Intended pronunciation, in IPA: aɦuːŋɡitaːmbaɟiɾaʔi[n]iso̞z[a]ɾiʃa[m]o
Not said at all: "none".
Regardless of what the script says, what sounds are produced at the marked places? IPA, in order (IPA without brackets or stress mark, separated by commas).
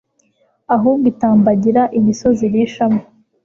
m, i, m